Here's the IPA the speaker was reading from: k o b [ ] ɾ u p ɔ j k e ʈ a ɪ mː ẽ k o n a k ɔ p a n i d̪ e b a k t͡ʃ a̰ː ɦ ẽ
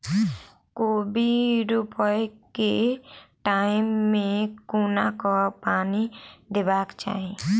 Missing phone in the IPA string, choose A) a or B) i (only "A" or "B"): B